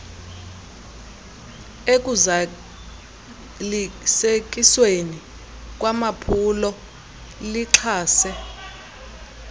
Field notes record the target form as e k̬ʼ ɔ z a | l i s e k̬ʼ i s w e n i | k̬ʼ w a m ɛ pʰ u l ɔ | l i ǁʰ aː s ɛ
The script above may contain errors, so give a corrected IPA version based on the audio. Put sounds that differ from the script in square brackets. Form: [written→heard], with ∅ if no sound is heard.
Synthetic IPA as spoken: e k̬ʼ [ɔ→u] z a | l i s e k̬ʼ i s w e n i | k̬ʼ w a m [ɛ→a] pʰ u l ɔ | l i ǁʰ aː s ɛ